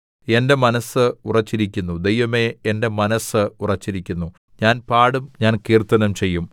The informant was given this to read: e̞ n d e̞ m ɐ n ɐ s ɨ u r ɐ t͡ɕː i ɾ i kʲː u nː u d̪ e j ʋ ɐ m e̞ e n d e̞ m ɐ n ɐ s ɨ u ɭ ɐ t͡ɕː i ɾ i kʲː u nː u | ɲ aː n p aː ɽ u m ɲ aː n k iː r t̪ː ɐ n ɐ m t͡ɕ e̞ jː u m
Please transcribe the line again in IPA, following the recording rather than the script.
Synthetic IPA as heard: e̞ n d e̞ m ɐ n ɐ s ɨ u r ɐ t͡ɕː i ɾ i kʲː u nː u d̪ e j ʋ ɐ m e̞ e n d e̞ m ɐ n ɐ s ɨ u r ɐ t͡ɕː i ɾ i kʲː u nː u | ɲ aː n p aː ɽ u m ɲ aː n k iː r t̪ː ɐ n ɐ m t͡ɕ e̞ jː u m